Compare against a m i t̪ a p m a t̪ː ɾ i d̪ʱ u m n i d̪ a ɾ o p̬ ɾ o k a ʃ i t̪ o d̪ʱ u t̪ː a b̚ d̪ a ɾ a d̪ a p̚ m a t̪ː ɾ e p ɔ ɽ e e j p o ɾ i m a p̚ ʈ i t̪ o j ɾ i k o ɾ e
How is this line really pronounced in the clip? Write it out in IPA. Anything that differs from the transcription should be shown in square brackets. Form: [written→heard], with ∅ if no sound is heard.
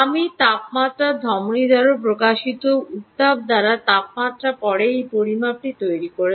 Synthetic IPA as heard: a m i t̪ a p m a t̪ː ɾ [i→a] d̪ʱ [u→ɔ] m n i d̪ a ɾ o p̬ ɾ o k a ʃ i t̪ o [d̪ʱ→∅] u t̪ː a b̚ d̪ a ɾ a [d̪→t̪] a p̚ m a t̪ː ɾ [e→a] p ɔ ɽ e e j p o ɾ i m a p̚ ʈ i t̪ o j ɾ i k o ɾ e